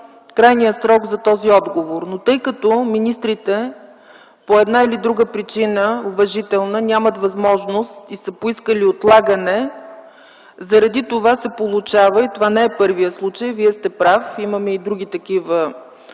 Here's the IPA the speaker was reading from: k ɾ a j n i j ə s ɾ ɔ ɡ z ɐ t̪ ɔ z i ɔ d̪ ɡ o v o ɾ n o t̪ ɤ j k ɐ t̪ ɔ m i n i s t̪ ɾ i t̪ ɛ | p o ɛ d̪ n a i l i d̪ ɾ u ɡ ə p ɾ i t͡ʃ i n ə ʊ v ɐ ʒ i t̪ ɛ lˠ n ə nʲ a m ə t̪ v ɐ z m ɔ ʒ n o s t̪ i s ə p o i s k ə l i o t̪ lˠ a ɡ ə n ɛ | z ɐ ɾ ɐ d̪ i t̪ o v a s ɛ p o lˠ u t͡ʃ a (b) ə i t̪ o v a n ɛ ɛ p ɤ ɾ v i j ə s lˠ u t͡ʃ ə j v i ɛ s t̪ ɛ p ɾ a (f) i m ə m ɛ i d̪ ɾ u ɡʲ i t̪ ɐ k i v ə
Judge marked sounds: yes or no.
no, yes

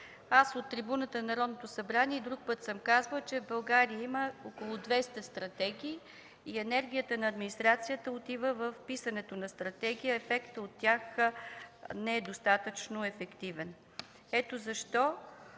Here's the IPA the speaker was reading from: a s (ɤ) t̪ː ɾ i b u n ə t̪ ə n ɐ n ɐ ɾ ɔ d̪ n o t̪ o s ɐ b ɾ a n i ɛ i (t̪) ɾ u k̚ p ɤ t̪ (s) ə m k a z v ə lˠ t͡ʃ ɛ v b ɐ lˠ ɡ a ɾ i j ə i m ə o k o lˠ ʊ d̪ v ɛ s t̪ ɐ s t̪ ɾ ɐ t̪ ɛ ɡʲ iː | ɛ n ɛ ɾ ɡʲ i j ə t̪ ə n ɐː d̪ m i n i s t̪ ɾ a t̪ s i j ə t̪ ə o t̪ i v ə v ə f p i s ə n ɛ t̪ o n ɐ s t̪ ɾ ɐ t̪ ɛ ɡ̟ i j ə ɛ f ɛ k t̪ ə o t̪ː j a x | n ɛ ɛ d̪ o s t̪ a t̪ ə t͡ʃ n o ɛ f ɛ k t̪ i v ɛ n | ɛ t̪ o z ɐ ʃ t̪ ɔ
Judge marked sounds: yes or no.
no, no, yes

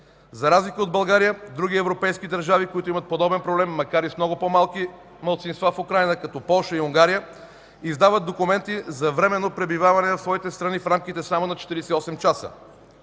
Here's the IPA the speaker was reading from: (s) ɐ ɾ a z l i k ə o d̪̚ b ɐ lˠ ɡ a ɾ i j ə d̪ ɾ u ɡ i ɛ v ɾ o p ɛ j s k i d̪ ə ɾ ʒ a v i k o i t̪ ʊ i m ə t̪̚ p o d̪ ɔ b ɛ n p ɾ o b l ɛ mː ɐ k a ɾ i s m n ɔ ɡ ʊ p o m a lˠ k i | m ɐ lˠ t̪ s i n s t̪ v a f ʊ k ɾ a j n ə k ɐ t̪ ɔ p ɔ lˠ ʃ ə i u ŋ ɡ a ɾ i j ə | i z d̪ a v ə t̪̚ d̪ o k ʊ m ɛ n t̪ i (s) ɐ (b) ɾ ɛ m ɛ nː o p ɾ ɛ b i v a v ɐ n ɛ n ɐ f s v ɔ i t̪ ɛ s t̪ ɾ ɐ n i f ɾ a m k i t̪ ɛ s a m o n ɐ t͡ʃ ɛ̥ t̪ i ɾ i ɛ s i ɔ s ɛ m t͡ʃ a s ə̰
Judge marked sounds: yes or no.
no, no, no

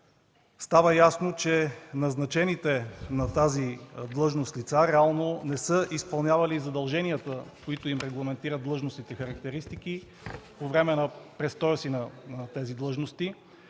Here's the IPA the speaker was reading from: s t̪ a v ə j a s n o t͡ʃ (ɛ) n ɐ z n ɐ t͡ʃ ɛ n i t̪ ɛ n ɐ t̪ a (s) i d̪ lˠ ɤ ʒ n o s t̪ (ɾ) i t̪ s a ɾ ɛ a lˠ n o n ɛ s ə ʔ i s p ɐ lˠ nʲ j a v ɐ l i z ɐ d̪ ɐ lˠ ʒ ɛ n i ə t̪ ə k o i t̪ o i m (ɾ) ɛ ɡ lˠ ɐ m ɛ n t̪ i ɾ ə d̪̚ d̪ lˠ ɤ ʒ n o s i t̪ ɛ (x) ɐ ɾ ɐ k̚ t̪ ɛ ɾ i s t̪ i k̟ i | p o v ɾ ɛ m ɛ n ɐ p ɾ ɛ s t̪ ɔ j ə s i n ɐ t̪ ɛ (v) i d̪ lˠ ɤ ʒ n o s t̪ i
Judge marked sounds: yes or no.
yes, no, no, yes, yes, no

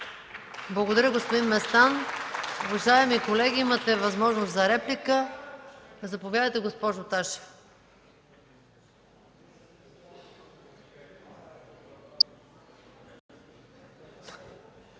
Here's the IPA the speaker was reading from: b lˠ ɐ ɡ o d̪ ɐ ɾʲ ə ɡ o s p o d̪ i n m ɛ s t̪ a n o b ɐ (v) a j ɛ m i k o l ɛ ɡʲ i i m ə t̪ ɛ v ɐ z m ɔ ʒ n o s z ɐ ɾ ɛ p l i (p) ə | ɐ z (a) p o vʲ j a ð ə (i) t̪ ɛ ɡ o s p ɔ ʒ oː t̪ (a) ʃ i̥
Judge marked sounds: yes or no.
no, no, no, no, yes

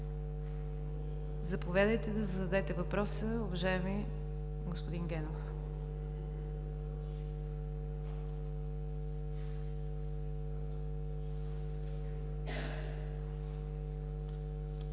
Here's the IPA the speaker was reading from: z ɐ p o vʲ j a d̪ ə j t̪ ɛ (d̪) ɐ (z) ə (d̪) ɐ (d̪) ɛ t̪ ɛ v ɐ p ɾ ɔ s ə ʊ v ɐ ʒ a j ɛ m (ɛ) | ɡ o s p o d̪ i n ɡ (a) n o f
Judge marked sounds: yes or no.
yes, yes, yes, yes, no, no

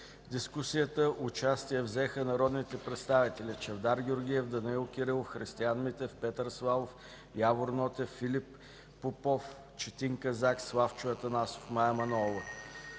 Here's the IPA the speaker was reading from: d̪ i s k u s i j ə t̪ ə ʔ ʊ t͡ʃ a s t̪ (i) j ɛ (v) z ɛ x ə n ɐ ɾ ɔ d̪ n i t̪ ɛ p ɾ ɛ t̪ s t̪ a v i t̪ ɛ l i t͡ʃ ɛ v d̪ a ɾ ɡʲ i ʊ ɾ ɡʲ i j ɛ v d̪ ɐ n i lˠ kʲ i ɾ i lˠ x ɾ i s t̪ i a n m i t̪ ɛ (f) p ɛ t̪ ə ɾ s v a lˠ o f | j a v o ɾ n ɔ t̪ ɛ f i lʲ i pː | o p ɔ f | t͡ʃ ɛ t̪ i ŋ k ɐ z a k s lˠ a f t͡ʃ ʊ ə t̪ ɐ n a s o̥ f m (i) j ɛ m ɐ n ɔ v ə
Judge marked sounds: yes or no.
yes, yes, yes, no

